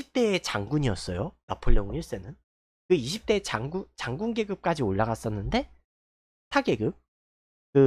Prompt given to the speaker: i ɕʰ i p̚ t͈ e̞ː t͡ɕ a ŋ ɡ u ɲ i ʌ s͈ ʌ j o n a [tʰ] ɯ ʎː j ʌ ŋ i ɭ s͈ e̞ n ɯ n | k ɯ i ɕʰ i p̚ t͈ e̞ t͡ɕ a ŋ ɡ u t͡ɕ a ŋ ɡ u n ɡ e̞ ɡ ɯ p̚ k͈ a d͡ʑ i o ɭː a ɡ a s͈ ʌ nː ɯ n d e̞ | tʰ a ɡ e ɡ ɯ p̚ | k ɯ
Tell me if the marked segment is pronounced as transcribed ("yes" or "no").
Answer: no